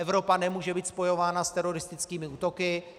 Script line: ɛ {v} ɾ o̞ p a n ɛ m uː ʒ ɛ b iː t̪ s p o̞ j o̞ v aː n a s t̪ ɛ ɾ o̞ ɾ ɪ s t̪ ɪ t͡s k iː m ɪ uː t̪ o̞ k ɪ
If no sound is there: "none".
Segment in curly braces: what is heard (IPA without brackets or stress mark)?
v